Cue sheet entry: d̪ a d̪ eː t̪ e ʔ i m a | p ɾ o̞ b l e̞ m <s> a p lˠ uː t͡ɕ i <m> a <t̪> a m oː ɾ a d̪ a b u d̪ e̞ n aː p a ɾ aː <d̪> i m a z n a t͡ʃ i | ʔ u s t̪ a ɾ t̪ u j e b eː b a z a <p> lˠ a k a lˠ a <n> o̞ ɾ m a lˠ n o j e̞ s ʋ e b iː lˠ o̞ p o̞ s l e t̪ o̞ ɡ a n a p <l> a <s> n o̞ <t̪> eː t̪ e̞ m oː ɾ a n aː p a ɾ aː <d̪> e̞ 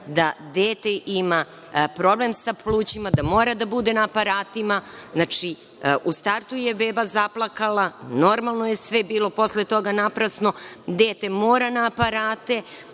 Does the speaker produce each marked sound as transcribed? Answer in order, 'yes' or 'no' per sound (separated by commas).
yes, yes, no, no, yes, yes, no, yes, no, no